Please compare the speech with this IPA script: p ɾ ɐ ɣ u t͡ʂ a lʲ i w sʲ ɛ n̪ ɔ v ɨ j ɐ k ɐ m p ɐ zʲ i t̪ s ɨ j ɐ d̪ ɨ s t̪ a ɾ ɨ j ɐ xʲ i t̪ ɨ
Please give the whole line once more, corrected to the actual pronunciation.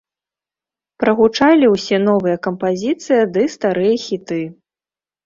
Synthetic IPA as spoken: p ɾ ɐ ɣ u t͡ʂ a lʲ i w sʲ ɛ n̪ ɔ v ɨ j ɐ k ɐ m p a zʲ i t̪ s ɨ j ɐ d̪ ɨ s t̪ a ɾ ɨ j ɐ xʲ i t̪ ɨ